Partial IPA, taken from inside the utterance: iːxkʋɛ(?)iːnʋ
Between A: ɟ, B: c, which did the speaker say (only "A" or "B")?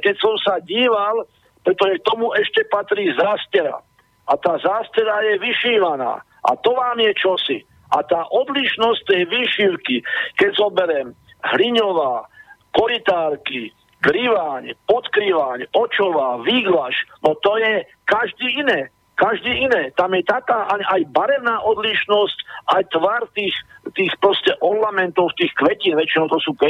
B